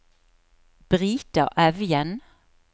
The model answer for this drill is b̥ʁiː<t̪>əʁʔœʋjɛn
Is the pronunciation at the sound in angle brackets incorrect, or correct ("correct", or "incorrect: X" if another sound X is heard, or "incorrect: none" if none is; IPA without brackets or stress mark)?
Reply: correct